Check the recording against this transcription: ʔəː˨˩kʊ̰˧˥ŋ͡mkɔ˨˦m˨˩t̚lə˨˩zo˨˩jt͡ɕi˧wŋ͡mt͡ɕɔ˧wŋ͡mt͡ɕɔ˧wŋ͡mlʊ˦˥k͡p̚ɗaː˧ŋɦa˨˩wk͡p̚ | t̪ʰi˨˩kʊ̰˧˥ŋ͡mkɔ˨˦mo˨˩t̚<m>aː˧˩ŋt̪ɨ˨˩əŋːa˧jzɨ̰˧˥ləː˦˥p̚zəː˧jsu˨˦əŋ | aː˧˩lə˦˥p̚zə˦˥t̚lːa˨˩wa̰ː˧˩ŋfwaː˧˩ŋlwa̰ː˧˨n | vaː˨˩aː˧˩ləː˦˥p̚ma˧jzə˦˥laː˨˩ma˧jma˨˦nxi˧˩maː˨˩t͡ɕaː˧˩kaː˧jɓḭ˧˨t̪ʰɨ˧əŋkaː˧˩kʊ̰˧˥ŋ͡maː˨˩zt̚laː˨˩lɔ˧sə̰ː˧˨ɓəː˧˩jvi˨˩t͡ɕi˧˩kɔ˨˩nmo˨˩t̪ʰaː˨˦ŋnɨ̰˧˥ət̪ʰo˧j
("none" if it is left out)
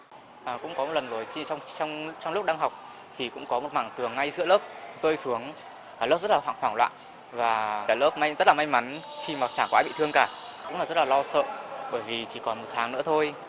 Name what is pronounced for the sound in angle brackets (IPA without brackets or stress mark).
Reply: m